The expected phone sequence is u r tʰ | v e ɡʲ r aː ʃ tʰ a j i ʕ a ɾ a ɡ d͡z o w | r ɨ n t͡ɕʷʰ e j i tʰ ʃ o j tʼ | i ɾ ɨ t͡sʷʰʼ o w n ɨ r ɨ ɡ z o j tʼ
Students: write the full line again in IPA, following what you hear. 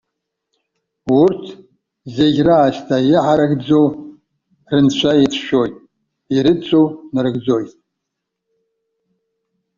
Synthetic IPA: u r tʰ | z e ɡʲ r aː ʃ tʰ a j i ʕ a ɾ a ɡ d͡z o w | r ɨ n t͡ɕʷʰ a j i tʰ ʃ o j tʼ | i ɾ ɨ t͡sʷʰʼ o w n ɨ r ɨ ɡ d͡z o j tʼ